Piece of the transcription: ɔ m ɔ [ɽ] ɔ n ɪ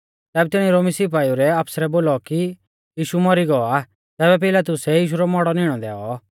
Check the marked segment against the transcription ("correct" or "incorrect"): correct